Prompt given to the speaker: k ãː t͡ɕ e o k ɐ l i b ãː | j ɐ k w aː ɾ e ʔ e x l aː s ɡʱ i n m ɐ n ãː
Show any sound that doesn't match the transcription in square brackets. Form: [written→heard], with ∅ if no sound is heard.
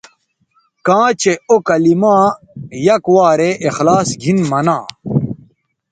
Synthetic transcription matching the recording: k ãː t͡ɕ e o k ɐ l i [b→m] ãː | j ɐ k w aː ɾ e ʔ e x l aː s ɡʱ i n m ɐ n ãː